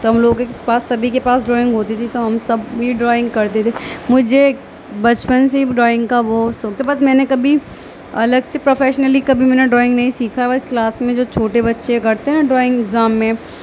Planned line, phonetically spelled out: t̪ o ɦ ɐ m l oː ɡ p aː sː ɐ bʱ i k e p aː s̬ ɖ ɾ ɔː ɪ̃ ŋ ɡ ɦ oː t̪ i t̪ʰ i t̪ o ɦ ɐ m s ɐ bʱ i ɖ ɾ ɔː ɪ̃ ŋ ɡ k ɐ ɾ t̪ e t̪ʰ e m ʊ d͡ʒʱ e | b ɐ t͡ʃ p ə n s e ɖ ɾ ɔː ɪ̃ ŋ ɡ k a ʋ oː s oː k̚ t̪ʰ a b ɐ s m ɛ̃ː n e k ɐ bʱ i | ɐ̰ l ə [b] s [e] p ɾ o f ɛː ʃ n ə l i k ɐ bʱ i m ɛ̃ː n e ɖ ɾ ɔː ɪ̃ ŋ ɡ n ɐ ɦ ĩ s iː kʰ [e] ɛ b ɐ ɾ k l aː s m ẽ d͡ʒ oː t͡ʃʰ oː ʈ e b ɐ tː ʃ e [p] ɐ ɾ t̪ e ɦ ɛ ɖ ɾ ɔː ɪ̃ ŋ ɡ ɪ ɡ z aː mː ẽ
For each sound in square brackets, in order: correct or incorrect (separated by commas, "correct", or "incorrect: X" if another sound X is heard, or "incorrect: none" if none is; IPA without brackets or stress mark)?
incorrect: ɡ, correct, incorrect: a, incorrect: k